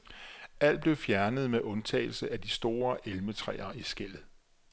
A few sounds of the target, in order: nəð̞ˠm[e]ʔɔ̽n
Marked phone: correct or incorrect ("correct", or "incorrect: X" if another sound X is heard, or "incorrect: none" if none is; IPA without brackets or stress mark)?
correct